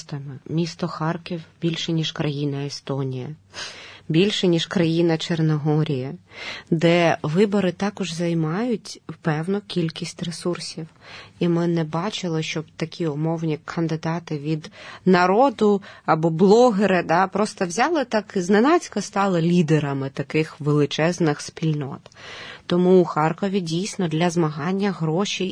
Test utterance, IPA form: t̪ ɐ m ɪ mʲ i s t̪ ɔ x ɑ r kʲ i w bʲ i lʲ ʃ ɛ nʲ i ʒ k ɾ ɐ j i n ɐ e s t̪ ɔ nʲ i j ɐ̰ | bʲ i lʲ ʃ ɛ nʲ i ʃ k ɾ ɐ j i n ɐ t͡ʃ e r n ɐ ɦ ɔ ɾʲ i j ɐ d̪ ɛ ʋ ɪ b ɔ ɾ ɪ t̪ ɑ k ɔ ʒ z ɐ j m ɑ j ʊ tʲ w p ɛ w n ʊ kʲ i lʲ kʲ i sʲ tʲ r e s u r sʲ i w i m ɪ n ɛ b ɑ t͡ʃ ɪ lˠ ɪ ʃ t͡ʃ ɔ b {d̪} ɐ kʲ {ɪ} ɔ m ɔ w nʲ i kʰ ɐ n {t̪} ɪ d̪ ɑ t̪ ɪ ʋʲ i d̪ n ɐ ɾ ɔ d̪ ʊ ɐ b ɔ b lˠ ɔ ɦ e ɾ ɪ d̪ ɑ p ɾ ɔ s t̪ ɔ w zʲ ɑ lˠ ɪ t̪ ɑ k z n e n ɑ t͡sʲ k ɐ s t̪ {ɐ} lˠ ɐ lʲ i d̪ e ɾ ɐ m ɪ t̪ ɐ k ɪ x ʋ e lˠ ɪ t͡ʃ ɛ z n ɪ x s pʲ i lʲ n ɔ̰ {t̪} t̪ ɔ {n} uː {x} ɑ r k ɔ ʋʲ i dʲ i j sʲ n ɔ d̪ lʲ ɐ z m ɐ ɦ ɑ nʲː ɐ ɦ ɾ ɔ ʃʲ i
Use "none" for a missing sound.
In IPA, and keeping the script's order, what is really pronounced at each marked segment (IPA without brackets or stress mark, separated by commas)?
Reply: t̪, i, d̪, ɑ, t̪, m, x